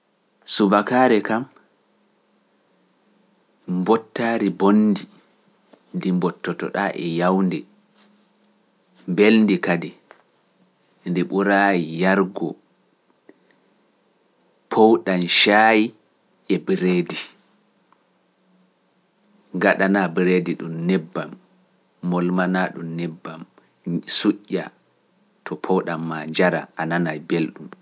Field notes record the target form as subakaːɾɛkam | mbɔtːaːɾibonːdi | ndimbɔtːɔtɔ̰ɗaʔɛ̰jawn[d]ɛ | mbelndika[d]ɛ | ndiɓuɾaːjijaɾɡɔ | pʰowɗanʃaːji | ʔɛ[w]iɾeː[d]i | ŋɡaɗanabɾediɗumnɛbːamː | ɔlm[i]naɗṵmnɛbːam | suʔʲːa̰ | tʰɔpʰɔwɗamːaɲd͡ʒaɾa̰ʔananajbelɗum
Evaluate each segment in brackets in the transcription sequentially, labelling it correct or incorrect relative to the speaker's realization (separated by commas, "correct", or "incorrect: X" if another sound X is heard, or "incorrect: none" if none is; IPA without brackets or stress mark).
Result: correct, correct, incorrect: b, correct, incorrect: a